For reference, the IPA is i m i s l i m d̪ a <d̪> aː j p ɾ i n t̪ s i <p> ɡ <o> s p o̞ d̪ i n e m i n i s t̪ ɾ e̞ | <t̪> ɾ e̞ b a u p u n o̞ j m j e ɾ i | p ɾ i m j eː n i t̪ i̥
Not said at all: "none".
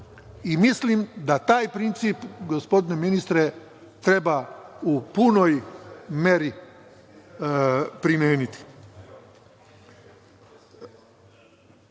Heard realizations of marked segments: t̪, p, o, t̪

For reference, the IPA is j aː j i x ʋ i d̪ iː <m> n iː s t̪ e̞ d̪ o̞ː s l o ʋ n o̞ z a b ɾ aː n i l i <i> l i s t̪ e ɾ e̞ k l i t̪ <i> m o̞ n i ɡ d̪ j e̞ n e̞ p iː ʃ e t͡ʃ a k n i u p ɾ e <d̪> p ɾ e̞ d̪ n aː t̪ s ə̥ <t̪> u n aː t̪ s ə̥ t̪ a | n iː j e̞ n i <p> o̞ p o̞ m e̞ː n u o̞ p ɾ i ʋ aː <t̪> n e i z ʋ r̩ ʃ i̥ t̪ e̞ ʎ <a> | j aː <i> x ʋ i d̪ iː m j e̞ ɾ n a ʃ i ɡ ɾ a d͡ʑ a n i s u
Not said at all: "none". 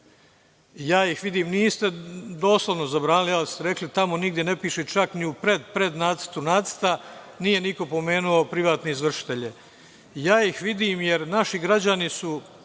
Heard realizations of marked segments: m, a, a, d̪, t̪, k, t̪, e, i

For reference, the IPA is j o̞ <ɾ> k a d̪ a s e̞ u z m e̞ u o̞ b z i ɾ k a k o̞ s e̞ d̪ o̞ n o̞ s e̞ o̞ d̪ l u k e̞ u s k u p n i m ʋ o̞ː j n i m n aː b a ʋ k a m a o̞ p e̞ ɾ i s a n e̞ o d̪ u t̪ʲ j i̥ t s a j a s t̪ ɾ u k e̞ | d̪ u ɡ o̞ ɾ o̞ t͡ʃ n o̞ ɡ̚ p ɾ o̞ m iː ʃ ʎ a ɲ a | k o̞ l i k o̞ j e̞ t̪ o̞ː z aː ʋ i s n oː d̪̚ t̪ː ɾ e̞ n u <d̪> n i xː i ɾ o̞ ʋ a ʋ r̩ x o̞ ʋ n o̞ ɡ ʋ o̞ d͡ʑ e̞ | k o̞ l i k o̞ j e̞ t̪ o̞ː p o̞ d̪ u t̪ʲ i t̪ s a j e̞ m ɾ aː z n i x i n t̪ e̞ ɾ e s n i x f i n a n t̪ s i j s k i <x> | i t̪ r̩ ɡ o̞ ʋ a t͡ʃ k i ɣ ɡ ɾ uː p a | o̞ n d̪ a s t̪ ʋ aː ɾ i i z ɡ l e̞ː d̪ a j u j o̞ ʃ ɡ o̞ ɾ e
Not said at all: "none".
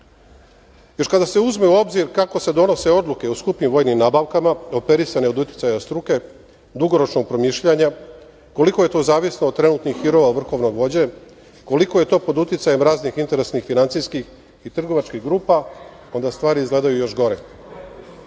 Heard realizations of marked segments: ɾ, t̪, x

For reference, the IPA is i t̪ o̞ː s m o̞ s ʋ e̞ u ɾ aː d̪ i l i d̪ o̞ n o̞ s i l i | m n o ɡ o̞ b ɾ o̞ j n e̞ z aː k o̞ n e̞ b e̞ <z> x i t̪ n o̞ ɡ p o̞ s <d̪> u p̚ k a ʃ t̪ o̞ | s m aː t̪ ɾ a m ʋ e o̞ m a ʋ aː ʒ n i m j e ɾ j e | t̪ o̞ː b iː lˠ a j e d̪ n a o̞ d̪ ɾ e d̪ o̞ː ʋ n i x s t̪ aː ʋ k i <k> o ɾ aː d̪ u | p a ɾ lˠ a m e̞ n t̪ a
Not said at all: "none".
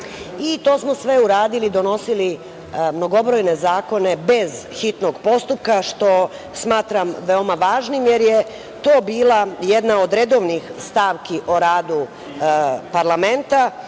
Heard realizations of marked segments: z, t̪, ʔ

